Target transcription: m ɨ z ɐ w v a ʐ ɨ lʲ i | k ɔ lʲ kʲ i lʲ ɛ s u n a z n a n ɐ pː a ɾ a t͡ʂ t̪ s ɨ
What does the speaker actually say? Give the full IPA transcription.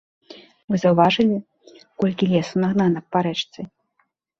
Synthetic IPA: m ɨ z ɐ w v a ʐ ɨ lʲ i | k ɔ lʲ kʲ i lʲ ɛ s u n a ɣ n a n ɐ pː a ɾ ɛ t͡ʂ t̪ s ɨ